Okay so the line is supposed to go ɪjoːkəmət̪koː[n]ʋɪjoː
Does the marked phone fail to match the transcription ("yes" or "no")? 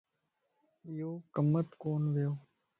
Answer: no